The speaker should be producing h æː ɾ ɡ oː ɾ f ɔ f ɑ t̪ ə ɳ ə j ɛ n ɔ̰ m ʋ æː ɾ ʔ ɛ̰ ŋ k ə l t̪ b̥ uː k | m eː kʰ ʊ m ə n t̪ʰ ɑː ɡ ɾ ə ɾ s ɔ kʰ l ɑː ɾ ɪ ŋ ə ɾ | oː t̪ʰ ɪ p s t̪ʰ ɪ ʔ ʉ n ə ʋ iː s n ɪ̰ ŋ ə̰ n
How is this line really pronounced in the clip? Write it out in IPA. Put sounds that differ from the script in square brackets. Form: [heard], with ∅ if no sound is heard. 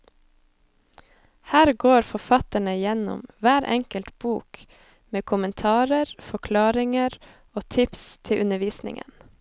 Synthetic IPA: h æː ɾ ɡ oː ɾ f ɔ f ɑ t̪ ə ɳ ə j ɛ n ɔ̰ m ʋ æː ɾ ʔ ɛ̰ ŋ k ə l t̪ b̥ uː k | m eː kʰ ʊ m ə n t̪ʰ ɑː [∅] ɾ ə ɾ [f] ɔ kʰ l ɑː ɾ ɪ ŋ ə ɾ | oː t̪ʰ ɪ p s t̪ʰ ɪ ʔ ʉ n ə ʋ iː s n ɪ̰ ŋ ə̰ n